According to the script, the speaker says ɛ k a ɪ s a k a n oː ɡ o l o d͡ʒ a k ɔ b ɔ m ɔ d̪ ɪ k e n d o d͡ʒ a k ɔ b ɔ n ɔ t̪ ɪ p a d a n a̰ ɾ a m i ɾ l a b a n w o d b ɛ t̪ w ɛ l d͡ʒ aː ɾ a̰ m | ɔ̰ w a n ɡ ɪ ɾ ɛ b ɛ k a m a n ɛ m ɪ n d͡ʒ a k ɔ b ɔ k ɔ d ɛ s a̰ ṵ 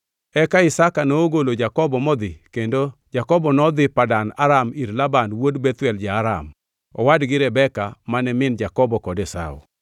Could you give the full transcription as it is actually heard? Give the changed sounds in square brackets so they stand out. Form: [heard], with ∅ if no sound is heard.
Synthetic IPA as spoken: ɛ k a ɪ s a k a n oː ɡ o l o d͡ʒ a k ɔ b ɔ m ɔ d̪ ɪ k e n d o d͡ʒ a k ɔ b ɔ n ɔ [d̪] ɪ p a d a n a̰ ɾ a m i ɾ l a b a n w o d b ɛ t̪ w ɛ l d͡ʒ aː ɾ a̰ m | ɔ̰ w a [d] ɡ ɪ ɾ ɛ b ɛ k a m a n ɛ m ɪ n d͡ʒ a k ɔ b ɔ k ɔ d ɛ s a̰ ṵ